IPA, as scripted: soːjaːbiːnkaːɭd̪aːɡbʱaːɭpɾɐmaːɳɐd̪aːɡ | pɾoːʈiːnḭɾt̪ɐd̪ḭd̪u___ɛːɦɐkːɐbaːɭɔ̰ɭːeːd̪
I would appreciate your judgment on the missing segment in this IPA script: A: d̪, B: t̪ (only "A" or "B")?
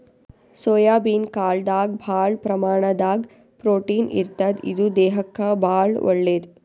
A